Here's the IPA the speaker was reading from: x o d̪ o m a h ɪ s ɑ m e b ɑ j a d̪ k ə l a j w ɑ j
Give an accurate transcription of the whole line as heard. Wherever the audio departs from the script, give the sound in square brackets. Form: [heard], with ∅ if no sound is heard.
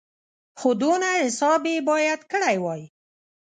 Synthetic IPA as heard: x o d̪ o [n] a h ɪ s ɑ [b] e b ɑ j a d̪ k ə [ɽ] a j w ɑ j